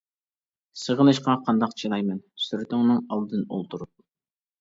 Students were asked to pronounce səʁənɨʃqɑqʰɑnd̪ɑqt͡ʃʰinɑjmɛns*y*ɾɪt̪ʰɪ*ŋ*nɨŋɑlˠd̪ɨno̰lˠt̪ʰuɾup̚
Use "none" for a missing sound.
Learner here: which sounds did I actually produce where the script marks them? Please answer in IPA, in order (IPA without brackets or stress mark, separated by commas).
y, ŋ